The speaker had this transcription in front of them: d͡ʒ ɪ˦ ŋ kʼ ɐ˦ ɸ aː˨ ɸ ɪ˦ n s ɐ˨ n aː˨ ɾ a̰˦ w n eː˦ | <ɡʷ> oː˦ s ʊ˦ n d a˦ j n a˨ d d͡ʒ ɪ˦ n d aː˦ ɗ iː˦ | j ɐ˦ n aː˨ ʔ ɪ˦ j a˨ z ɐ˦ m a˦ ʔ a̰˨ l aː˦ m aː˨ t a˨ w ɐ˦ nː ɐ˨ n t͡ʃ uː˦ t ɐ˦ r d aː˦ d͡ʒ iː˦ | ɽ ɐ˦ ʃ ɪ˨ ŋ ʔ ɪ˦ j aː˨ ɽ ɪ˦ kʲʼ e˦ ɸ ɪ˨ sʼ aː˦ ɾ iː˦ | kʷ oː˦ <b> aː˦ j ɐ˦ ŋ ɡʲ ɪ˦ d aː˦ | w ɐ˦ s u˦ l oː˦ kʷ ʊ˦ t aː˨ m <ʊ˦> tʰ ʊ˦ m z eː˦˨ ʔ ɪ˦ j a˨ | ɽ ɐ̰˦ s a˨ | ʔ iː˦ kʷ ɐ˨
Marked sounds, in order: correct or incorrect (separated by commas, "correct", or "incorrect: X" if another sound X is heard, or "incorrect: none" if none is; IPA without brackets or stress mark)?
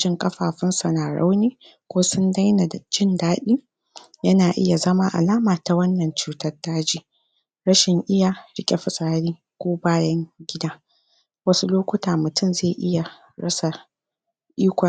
incorrect: kʷ, correct, incorrect: ʊ˨